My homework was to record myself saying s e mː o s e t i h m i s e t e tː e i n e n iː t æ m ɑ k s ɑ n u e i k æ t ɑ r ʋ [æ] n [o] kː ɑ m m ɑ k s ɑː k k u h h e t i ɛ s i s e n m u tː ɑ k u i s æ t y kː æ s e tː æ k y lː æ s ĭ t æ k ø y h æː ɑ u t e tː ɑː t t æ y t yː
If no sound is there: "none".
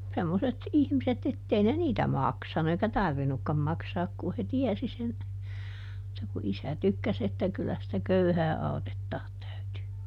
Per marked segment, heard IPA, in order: i, u

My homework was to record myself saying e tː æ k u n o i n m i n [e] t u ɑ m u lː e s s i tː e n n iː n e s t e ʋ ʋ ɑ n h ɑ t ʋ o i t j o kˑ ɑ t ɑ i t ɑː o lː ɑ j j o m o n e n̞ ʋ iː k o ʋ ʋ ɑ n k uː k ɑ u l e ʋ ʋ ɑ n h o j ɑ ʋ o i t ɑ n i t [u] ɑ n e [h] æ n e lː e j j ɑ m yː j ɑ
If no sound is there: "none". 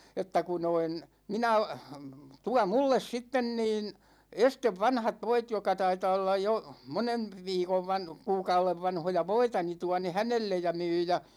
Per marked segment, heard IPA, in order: æ, u, h

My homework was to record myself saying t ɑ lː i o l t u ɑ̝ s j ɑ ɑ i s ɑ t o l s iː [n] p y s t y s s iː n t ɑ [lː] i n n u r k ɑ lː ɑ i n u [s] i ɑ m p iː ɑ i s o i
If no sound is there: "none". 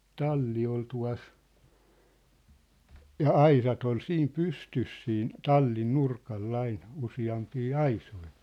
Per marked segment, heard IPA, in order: m, lː, s

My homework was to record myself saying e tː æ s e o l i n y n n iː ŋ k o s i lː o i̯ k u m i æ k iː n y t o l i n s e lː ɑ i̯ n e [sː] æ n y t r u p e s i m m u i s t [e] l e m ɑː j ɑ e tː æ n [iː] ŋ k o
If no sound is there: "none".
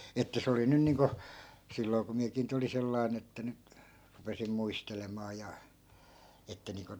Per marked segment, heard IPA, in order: tː, e, iː

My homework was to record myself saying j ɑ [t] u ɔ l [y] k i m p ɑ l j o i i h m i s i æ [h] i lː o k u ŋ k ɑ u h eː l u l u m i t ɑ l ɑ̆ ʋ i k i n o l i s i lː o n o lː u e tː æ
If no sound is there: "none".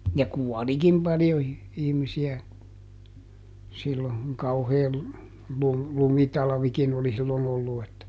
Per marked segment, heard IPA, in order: k, i, s

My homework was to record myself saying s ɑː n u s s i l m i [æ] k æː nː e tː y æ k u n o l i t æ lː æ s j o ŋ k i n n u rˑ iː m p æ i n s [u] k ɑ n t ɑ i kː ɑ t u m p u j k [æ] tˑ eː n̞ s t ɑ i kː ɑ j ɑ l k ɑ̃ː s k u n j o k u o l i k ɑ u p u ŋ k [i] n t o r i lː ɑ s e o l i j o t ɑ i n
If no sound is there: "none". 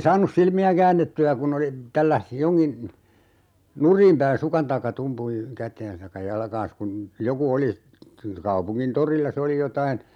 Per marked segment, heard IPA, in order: æ, u, æ, i

